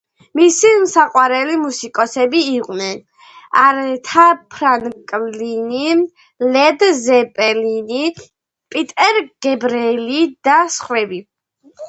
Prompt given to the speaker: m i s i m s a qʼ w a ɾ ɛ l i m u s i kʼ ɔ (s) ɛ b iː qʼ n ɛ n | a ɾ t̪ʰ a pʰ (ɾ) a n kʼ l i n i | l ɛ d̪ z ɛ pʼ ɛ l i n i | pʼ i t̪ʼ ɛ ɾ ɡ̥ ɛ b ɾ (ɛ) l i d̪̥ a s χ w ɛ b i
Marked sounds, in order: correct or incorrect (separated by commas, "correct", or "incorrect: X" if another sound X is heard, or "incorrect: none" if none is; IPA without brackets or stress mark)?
correct, correct, correct